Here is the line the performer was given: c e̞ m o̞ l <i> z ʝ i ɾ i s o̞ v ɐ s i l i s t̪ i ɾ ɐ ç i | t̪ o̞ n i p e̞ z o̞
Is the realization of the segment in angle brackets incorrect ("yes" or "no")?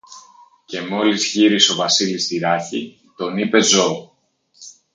no